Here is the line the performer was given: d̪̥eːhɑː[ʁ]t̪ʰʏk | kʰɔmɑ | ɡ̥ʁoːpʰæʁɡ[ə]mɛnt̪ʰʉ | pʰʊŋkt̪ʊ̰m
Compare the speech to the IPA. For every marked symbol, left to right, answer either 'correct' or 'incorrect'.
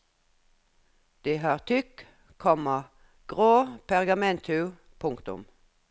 correct, incorrect: ɑ

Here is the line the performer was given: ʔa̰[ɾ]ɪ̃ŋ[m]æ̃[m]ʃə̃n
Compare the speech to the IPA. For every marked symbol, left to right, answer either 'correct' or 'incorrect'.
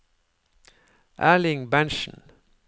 incorrect: l, incorrect: b, incorrect: n

